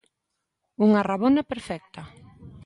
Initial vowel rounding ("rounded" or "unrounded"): rounded